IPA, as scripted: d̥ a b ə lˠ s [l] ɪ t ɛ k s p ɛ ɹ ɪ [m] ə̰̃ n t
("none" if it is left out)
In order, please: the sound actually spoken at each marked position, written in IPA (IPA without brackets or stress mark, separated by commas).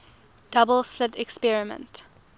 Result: l, m